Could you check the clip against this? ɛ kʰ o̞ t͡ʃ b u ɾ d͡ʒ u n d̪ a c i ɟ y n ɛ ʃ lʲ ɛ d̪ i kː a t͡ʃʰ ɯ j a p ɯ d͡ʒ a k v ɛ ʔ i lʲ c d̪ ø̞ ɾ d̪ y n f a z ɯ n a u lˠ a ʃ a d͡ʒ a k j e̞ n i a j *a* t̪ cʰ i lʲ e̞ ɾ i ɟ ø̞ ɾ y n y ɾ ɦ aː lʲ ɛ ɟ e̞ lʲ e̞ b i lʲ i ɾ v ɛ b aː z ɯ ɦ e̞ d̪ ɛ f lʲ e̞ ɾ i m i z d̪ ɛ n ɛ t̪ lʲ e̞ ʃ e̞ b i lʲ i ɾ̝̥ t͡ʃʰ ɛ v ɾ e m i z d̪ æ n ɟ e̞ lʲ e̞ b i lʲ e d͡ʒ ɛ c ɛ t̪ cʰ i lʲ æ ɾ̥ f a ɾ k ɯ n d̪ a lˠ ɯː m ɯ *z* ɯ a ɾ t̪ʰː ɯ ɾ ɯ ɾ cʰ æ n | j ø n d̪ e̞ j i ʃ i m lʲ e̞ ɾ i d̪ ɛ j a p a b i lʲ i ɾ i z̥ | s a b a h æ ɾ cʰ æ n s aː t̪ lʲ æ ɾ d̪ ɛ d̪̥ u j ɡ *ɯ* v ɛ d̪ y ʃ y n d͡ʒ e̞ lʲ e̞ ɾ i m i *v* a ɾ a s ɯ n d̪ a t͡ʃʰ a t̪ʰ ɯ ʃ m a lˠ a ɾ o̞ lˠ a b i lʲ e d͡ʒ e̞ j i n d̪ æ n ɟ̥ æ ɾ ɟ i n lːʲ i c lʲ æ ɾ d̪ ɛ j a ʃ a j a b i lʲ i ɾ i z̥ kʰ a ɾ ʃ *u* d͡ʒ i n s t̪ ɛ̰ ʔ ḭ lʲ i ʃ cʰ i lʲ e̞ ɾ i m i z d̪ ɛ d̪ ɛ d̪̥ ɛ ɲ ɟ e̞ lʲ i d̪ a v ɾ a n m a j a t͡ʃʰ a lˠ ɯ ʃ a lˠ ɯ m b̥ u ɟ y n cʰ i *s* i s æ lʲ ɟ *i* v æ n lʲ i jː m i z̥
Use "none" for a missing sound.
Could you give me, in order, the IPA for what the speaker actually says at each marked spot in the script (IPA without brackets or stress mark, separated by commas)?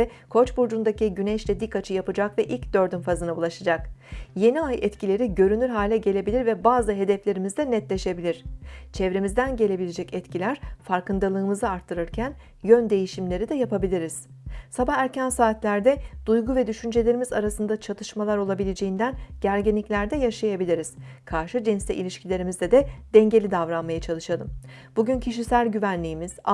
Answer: ɛ, z, u, z, ɯ, ʃ, y